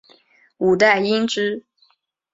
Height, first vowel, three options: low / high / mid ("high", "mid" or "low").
high